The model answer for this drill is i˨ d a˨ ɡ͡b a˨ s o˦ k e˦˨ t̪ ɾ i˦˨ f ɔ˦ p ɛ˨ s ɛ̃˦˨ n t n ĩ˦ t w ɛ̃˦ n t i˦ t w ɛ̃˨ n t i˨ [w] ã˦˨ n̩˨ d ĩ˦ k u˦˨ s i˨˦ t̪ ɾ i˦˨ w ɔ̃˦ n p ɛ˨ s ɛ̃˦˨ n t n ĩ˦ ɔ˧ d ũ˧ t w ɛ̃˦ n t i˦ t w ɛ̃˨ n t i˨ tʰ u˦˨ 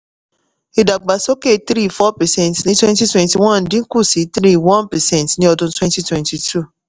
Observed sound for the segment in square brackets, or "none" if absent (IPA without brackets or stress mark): w